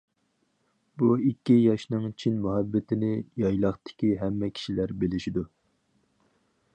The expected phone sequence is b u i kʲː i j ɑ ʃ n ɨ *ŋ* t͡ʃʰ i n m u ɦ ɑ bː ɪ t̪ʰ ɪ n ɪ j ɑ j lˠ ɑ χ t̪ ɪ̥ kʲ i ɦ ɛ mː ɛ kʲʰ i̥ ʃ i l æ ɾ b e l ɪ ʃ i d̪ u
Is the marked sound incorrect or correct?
correct